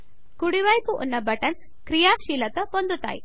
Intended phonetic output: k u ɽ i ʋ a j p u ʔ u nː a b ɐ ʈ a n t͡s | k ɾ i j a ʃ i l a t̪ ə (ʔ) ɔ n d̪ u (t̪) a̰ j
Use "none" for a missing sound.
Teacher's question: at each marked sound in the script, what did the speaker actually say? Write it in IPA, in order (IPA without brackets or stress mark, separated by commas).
p, t̪